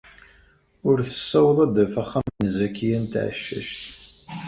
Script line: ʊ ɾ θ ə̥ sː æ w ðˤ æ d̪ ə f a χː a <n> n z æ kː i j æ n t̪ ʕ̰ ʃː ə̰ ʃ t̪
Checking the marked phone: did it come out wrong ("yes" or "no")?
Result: yes